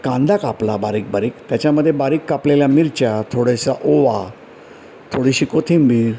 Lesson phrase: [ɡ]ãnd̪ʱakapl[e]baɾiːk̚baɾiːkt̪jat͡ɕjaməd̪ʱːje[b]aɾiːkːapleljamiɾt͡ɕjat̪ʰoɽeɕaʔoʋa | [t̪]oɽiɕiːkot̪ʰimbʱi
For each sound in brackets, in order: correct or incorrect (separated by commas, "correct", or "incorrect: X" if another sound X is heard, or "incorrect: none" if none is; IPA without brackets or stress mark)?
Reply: incorrect: k, incorrect: a, correct, incorrect: t̪ʰ